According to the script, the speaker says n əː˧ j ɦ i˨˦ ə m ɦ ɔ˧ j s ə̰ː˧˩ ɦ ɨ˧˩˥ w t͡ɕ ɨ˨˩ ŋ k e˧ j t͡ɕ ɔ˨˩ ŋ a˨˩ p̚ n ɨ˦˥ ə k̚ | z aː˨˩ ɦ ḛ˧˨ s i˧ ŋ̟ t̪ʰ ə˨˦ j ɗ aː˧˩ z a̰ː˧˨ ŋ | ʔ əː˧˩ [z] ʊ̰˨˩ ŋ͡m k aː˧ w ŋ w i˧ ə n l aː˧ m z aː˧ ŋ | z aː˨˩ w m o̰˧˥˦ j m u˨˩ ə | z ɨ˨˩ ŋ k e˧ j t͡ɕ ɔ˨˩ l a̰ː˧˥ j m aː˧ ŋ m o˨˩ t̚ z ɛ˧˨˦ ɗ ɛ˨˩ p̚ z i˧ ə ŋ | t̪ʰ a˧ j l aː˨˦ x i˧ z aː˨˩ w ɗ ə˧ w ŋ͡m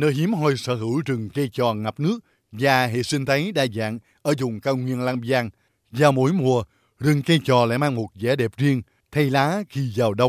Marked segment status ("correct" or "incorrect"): correct